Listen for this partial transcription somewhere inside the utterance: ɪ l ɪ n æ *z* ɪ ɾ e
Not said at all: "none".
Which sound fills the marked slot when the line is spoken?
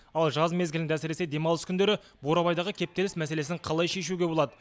s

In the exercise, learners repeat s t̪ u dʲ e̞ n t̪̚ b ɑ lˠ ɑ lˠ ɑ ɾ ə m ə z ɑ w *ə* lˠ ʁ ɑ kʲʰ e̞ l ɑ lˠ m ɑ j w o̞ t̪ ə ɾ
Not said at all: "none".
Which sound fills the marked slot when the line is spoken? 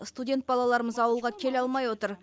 ə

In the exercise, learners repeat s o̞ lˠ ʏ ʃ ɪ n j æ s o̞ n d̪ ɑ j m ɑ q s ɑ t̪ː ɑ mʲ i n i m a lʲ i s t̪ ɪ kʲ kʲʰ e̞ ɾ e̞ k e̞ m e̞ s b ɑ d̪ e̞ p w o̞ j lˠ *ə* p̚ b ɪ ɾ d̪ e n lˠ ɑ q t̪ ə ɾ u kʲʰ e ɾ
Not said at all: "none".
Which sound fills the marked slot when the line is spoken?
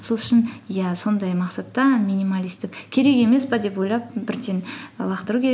ɑ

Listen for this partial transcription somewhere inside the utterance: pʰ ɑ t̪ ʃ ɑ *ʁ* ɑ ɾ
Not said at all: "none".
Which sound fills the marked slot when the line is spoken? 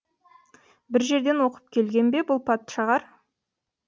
ʁ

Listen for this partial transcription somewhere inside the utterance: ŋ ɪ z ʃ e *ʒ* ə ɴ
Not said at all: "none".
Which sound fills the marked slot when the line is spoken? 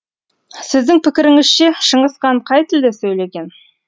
ʃ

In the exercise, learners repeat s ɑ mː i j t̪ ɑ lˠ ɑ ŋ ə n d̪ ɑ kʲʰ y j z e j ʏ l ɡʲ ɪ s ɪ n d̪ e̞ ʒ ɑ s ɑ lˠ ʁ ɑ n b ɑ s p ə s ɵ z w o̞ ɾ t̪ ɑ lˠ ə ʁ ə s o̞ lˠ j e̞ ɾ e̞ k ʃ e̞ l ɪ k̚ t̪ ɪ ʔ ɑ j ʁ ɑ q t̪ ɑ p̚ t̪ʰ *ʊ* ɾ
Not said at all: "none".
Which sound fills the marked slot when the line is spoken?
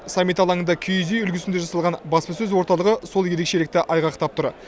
ʊ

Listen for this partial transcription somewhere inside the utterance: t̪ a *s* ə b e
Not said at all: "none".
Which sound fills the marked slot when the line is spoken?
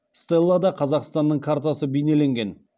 s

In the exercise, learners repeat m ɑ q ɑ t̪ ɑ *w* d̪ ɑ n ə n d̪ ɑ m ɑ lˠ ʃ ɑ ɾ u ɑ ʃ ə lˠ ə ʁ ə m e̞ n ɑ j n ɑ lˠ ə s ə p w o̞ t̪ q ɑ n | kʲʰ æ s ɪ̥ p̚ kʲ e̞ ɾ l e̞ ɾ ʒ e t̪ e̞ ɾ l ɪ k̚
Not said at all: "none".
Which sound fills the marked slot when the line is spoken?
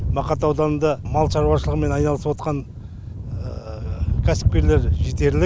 w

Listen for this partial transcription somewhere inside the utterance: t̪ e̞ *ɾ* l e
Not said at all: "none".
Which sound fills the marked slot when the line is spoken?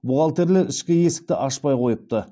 ɾ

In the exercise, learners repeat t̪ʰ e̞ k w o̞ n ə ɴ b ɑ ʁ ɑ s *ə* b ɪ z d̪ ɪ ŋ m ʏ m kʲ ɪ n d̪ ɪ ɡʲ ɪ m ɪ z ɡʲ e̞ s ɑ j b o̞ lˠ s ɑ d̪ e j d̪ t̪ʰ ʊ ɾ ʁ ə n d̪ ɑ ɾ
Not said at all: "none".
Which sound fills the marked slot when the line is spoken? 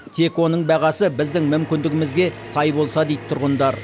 ə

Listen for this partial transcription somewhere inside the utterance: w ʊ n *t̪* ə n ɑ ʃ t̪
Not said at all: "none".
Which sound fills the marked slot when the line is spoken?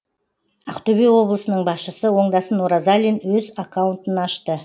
t̪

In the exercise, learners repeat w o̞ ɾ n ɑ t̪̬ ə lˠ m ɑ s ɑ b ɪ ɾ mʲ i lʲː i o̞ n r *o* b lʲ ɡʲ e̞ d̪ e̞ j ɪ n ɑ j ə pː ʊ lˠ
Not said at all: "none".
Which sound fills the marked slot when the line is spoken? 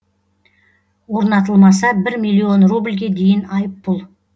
u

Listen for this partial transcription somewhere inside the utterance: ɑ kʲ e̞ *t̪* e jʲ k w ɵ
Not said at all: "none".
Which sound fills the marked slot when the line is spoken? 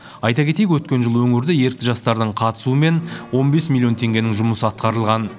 t̪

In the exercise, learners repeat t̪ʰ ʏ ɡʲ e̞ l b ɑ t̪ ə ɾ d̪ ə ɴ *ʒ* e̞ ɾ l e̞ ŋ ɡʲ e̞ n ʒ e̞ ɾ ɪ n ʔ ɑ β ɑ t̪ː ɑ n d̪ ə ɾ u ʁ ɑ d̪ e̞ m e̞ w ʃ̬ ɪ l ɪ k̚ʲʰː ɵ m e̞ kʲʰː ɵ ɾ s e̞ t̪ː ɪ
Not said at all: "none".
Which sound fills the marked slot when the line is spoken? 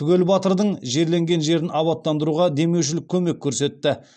ʒ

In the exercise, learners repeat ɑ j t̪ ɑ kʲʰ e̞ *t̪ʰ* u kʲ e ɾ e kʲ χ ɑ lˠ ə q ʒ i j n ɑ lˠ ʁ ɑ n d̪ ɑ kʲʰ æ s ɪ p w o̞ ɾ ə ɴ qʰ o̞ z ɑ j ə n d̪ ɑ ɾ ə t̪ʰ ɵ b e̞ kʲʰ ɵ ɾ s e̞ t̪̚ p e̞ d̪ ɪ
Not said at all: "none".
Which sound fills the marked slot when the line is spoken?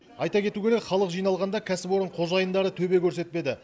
t̪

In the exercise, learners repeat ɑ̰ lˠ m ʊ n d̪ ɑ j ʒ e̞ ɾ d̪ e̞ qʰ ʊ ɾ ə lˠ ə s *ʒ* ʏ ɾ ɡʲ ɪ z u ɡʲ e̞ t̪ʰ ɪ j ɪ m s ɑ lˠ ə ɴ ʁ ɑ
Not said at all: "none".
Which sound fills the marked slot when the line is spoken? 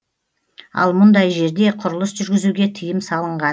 ʒ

